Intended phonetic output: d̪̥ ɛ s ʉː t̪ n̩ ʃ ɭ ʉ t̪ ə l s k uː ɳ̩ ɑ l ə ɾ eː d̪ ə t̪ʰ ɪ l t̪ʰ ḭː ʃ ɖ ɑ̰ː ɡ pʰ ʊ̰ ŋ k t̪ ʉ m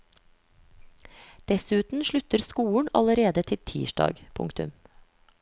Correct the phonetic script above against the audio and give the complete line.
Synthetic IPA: d̪̥ ɛ s ʉː t̪ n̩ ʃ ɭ ʉ t̪ ə ɾ s k uː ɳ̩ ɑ l ə ɾ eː d̪ ə t̪ʰ ɪ l t̪ʰ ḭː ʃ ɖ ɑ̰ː ɡ pʰ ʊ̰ ŋ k t̪ ʉ m